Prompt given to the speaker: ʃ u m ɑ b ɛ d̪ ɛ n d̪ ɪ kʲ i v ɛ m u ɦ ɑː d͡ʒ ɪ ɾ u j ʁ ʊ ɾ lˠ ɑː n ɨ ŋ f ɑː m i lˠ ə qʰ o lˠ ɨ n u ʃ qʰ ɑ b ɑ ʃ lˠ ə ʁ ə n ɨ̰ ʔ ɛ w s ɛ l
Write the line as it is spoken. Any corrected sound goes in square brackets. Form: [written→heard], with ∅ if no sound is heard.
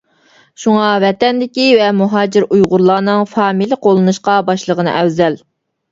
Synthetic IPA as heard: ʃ u [m→ŋ] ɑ [b→v] ɛ [d̪→t̪] ɛ n d̪ ɪ kʲ i v ɛ m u ɦ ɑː d͡ʒ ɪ ɾ u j ʁ ʊ ɾ lˠ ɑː n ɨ ŋ f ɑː m i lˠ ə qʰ o lˠ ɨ n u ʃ [qʰ→q] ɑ b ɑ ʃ lˠ ə ʁ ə n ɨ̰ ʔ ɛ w [s→z] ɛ l

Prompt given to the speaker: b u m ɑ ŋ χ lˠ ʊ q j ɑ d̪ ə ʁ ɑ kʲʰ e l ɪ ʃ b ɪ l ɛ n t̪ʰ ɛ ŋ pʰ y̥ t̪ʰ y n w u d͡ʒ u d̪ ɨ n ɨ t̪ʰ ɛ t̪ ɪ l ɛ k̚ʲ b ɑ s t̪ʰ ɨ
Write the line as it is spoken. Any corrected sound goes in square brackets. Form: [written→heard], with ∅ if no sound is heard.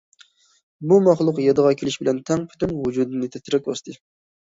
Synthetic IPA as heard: b u m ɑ [ŋ→∅] χ lˠ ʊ q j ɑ d̪ ə ʁ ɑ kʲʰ e l ɪ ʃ b ɪ l ɛ n t̪ʰ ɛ ŋ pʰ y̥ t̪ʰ y n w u d͡ʒ u d̪ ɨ n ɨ t̪ʰ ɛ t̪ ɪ [l→ɾ] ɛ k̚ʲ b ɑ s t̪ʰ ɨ

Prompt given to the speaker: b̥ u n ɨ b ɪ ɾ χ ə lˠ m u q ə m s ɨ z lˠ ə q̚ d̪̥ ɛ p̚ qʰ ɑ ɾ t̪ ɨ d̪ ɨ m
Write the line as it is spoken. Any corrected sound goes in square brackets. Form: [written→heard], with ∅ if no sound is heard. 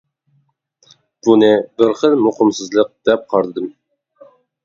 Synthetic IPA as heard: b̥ u n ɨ b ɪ ɾ χ ə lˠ m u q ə m s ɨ z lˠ ə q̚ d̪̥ ɛ p̚ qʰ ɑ ɾ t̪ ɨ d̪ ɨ m

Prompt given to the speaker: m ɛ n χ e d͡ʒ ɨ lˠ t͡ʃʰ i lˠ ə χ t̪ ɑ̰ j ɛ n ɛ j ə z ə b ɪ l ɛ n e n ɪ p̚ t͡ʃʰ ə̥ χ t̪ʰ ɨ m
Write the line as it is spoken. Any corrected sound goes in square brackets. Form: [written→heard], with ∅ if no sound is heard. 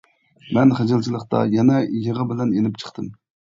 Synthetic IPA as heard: m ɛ n χ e d͡ʒ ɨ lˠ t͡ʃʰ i lˠ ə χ t̪ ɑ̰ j ɛ n ɛ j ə [z→ʁ] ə b ɪ l ɛ n e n ɪ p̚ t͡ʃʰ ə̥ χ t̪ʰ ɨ m

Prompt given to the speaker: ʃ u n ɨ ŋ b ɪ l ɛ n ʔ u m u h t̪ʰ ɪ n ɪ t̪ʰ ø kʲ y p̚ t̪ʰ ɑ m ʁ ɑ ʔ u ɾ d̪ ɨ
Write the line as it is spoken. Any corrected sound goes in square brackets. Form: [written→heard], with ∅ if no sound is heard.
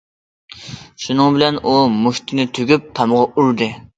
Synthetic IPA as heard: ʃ u n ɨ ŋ b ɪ l ɛ n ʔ u m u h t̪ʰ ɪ n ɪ t̪ʰ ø [kʲ→ɡʲ] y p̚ t̪ʰ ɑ m ʁ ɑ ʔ u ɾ d̪ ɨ

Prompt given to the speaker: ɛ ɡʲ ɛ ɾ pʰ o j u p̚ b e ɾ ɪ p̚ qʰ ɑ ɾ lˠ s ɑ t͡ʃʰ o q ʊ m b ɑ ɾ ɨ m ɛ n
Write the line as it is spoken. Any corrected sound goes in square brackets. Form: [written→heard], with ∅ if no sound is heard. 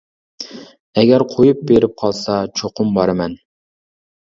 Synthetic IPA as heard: ɛ ɡʲ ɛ ɾ [pʰ→qʰ] o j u p̚ b e ɾ ɪ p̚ qʰ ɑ [ɾ→∅] lˠ s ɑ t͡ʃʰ o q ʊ m b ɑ ɾ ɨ m ɛ n

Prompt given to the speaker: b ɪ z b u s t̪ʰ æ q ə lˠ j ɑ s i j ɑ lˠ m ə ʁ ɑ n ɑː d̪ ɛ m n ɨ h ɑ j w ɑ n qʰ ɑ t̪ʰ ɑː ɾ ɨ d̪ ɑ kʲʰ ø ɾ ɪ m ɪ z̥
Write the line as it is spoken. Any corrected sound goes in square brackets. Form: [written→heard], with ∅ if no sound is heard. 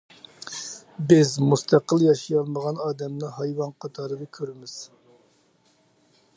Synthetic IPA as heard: b ɪ z [b→m] u s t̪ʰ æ q ə lˠ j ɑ [s→ʃ] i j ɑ lˠ m ə ʁ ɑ n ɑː d̪ ɛ m n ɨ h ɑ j w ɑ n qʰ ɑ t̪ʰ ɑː ɾ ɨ d̪ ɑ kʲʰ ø ɾ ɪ m ɪ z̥

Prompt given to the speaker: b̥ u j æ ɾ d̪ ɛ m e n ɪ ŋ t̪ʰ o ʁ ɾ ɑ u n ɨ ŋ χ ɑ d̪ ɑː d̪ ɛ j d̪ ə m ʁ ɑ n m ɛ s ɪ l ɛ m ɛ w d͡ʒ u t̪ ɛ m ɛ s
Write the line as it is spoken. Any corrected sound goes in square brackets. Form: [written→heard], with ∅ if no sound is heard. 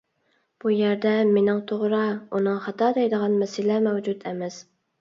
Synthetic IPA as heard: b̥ u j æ ɾ d̪ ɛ m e n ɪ ŋ t̪ʰ o ʁ ɾ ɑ u n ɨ ŋ χ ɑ [d̪→t̪] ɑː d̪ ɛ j d̪ ə [m→∅] ʁ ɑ n m ɛ s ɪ l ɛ m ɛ w d͡ʒ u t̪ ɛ m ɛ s

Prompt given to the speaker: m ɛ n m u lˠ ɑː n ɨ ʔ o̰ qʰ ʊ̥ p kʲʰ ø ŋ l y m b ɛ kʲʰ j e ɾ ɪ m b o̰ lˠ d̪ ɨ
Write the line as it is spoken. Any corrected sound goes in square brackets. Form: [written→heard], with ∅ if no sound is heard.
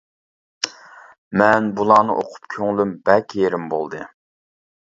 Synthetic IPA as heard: m ɛ n [m→b] u lˠ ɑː n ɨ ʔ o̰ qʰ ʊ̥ p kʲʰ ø ŋ l y m b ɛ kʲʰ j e ɾ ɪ m b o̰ lˠ d̪ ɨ

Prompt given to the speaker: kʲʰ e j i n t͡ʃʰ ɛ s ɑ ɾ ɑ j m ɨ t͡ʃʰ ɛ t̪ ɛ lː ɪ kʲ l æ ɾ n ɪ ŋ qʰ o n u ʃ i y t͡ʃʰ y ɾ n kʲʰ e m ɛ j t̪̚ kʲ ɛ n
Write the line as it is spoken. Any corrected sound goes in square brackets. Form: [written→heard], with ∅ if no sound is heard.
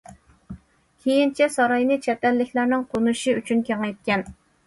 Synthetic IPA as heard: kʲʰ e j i n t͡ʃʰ ɛ s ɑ ɾ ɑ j [m→n] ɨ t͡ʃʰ ɛ t̪ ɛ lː ɪ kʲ l æ ɾ n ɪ ŋ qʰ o n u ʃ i y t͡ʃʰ y [ɾ→∅] n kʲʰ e [m→ŋ] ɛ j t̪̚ kʲ ɛ n

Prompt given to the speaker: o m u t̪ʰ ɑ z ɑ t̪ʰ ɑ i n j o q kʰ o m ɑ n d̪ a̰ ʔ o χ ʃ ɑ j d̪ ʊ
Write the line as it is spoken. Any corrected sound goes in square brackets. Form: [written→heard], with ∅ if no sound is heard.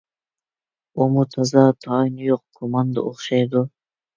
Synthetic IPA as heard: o m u t̪ʰ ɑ z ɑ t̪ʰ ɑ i n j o q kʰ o m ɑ n d̪ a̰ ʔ o χ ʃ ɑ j d̪ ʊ

